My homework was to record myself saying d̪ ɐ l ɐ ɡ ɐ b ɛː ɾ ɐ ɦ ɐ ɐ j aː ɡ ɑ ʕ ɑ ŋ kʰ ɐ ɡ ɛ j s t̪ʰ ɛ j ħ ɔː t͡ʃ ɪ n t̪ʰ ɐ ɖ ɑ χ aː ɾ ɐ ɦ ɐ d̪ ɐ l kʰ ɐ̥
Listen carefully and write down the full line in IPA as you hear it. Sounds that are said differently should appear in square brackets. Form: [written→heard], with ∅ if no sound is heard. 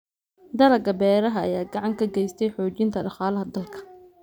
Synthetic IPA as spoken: d̪ ɐ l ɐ ɡ ɐ b ɛː ɾ ɐ ɦ ɐ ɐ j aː ɡ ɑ ʕ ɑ ŋ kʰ ɐ ɡ ɛ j s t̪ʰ ɛ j ħ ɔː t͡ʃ ɪ n t̪ʰ ɐ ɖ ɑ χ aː [ɾ→l] ɐ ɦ ɐ d̪ ɐ l kʰ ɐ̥